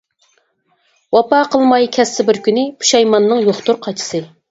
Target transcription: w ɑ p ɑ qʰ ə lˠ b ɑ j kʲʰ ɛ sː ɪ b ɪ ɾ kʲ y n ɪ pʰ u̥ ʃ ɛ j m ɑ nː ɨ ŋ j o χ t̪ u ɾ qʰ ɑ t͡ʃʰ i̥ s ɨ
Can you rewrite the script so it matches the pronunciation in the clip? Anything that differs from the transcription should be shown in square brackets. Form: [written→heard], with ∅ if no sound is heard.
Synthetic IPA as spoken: w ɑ p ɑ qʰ ə lˠ [b→m] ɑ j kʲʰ ɛ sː ɪ b ɪ ɾ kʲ y n ɪ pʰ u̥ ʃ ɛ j m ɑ nː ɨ ŋ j o χ t̪ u ɾ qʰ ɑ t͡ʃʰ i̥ s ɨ